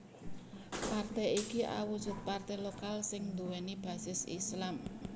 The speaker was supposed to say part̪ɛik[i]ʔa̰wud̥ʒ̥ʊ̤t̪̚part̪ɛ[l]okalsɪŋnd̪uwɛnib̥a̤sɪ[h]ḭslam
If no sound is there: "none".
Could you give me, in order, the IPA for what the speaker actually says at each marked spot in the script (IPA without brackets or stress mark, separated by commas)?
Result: i, l, s